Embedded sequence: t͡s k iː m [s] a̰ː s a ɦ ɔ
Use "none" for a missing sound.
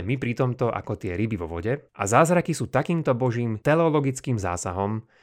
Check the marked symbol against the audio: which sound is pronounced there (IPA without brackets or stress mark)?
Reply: z